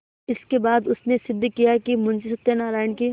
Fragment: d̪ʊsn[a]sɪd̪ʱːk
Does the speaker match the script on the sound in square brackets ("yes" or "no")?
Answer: no